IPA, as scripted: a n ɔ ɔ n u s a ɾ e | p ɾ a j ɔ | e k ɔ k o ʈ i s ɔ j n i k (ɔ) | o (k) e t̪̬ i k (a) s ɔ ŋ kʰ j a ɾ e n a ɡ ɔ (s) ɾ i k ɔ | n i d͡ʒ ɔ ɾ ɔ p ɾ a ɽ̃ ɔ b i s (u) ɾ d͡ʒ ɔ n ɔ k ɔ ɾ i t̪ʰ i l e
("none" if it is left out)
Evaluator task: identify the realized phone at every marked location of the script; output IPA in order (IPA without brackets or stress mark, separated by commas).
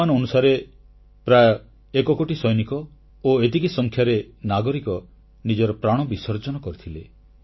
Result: ɔ, none, i, none, ɔ